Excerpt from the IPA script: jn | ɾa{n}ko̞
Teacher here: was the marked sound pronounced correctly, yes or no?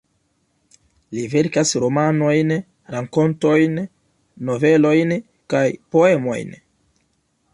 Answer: no